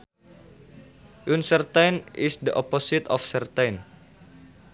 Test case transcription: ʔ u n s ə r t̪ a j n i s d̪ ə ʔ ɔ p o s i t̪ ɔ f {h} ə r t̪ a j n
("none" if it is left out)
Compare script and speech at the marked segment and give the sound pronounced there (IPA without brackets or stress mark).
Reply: s